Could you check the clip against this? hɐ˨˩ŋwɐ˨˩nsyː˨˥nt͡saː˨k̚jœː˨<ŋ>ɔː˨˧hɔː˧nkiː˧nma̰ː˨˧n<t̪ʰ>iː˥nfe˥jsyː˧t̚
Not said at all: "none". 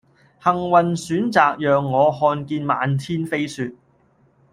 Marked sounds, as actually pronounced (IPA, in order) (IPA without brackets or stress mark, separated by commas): ŋː, t̪ʰ